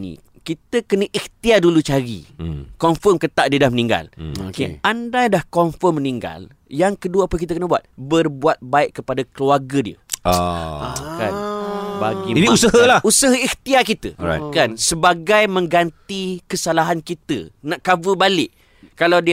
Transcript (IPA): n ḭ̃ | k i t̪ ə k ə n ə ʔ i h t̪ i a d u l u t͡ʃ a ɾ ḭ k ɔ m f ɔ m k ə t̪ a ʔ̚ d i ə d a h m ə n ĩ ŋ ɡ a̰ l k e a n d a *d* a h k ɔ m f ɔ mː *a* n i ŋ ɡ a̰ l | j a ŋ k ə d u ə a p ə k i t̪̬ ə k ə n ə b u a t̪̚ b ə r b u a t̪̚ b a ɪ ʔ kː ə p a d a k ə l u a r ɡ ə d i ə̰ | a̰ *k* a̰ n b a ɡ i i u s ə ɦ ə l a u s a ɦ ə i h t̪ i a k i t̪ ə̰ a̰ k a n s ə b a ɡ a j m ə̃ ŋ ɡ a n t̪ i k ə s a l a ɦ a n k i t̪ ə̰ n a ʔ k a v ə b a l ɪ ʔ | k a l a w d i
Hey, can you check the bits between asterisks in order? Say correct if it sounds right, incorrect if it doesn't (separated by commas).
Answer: correct, incorrect, correct